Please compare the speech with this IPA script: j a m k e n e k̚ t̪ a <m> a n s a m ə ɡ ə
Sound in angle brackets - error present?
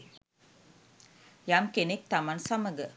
no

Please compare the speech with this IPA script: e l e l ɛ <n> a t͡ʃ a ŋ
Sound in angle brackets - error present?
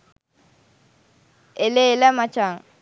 yes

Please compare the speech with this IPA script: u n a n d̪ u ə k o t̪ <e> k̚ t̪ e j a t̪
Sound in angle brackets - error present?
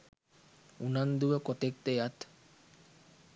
no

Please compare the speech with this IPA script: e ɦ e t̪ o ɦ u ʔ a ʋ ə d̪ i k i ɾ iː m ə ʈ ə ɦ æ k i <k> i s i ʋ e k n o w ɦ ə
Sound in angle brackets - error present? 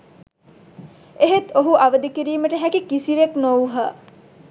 no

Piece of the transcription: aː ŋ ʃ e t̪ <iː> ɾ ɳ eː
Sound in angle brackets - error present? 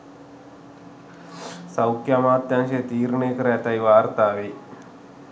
no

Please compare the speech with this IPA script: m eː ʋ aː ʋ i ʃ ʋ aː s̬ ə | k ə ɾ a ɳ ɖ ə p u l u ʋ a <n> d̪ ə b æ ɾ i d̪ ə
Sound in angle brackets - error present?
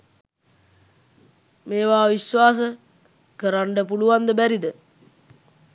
no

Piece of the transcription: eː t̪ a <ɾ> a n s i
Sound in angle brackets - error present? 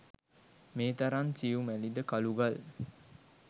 no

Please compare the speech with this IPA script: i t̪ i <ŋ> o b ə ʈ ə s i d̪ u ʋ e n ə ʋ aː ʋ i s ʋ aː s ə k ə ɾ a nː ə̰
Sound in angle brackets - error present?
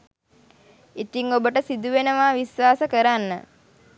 no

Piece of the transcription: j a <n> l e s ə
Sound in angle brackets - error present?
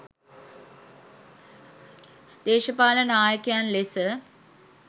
no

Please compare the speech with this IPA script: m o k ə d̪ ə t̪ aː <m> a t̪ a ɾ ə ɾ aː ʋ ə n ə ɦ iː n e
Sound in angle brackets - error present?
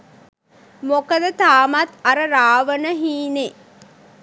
no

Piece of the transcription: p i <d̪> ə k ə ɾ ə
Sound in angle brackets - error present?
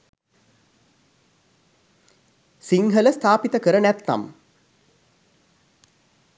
yes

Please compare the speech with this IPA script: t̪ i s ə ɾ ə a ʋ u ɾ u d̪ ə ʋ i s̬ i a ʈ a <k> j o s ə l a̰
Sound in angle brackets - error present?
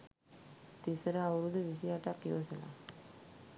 no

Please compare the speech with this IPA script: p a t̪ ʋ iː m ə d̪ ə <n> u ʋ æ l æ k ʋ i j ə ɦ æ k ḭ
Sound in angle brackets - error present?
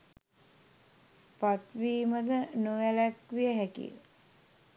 no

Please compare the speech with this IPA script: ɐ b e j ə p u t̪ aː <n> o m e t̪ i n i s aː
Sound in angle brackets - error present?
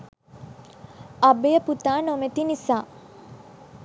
no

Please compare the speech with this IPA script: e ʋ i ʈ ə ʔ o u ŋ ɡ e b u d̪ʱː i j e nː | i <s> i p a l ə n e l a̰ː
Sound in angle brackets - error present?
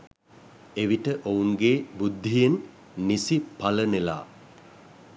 no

